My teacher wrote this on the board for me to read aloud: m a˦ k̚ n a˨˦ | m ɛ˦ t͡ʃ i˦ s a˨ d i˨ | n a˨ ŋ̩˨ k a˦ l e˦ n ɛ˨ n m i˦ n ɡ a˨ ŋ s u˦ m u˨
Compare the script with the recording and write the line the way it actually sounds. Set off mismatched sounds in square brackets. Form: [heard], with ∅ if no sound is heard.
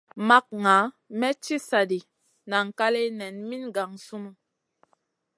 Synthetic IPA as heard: m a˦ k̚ [ŋ] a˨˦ | m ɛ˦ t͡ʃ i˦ s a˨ d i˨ | n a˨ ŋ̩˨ k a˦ l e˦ n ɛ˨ n m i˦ n ɡ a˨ ŋ s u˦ m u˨